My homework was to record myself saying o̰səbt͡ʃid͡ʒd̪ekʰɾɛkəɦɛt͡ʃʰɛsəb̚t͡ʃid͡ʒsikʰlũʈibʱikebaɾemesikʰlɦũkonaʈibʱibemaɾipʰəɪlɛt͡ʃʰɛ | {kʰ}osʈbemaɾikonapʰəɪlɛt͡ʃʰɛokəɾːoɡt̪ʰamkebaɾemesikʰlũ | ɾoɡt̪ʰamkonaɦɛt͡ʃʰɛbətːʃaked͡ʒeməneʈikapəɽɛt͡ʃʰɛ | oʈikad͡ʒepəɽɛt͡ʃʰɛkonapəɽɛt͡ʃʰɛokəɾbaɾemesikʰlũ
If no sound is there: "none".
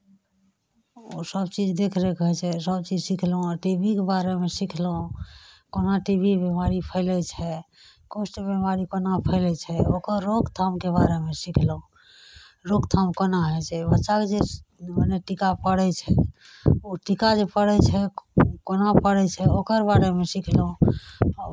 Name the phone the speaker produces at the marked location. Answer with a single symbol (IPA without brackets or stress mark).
k